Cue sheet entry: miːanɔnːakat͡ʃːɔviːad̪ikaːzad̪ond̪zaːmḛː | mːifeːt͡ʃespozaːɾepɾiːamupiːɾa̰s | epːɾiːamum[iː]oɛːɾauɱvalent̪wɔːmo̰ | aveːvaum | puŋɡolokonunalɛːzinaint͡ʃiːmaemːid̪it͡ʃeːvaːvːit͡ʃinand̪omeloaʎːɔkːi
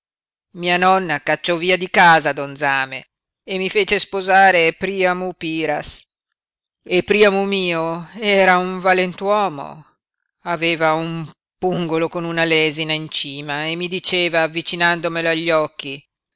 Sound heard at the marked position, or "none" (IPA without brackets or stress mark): iː